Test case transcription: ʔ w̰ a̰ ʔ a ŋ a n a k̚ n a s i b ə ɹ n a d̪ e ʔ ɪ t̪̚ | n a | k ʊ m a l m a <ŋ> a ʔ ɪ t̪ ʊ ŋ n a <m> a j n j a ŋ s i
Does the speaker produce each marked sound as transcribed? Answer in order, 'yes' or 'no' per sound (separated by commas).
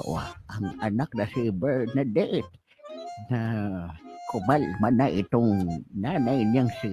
no, no